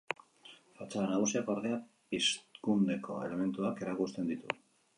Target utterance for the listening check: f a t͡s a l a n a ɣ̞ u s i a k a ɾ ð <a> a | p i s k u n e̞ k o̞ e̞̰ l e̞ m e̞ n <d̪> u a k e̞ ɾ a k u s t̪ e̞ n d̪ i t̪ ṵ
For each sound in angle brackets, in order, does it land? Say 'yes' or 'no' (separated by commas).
no, no